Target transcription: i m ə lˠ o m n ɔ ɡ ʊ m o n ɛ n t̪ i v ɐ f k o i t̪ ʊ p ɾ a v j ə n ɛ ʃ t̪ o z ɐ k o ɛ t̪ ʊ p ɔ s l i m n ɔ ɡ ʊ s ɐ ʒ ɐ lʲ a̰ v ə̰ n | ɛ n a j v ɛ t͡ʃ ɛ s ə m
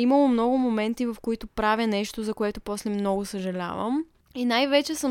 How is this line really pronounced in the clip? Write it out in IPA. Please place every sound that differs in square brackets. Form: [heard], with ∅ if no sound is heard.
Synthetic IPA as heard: i m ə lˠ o m n ɔ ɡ ʊ m o [m] ɛ n t̪ i v ɐ f k o i t̪ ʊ p ɾ a v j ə n ɛ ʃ t̪ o z ɐ k o ɛ t̪ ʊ p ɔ s l [ɛ] m n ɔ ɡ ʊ s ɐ ʒ ɐ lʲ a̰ v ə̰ [m] | [i] n a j v ɛ t͡ʃ ɛ s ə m